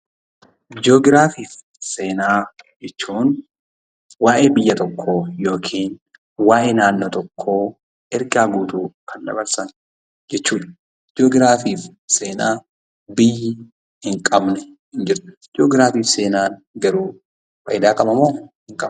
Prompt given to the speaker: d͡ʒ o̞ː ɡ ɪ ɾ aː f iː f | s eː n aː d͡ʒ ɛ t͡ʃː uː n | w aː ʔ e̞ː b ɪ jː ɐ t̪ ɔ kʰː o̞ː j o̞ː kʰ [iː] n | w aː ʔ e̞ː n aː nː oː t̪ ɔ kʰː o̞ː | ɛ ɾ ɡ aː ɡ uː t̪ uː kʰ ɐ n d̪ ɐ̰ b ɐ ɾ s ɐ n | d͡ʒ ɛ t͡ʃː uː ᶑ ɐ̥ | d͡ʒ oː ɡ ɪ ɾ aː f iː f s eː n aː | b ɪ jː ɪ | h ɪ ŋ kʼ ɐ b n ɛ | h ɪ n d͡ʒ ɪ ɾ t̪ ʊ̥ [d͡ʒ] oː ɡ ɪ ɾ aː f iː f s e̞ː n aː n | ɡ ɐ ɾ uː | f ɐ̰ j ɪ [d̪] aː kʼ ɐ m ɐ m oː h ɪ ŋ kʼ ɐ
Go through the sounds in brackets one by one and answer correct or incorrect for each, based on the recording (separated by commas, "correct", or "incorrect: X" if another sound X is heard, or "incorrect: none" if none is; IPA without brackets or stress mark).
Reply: correct, correct, correct